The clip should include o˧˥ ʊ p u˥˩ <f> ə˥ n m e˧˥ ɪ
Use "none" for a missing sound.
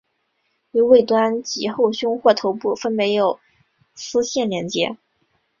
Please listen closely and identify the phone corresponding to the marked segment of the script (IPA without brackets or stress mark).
f